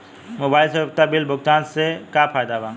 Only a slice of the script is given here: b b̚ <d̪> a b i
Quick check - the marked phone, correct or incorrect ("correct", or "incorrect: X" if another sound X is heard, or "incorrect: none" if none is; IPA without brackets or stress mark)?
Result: incorrect: t̪